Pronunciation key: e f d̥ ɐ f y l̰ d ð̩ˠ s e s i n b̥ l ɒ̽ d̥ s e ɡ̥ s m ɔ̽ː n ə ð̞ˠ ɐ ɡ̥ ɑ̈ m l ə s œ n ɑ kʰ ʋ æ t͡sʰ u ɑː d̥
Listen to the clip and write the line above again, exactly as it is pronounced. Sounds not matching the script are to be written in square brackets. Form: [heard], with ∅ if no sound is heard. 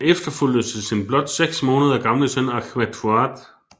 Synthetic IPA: e f d̥ ɐ f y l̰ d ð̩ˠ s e s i n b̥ l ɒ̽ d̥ s e ɡ̥ s m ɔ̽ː n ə ð̞ˠ ɐ ɡ̥ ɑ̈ m l ə s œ n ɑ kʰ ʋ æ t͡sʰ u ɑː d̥